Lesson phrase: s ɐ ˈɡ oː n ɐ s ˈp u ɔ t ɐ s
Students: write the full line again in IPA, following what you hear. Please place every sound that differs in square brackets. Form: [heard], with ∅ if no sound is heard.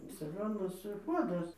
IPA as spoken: s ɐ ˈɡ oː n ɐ s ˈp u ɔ [d] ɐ s